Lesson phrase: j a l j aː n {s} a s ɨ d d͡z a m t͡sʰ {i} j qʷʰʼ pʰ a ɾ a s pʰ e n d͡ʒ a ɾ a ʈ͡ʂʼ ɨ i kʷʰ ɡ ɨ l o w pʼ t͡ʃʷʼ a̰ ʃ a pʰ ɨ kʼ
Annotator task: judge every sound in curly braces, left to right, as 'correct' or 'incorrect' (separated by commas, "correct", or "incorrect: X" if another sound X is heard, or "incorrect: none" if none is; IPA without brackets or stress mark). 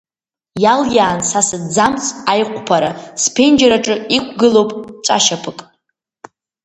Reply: correct, incorrect: a